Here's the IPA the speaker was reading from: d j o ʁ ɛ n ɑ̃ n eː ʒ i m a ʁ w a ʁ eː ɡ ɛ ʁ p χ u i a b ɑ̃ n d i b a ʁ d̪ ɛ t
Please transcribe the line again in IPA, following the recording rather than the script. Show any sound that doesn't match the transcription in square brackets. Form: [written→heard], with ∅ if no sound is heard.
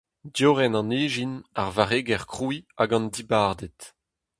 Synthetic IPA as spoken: d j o ʁ ɛ n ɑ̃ n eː ʒ i [m→n] a ʁ [w→v] a ʁ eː ɡ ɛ ʁ [p→k] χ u i a [b→ɡ] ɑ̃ n d i b a ʁ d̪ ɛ t